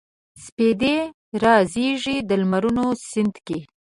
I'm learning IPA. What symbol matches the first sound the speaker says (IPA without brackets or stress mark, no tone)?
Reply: s